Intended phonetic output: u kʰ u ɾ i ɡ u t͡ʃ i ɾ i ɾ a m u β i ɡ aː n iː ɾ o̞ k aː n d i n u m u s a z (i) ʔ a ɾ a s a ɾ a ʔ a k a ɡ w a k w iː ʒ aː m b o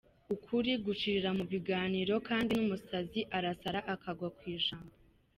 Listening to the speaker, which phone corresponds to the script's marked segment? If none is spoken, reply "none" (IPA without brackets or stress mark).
i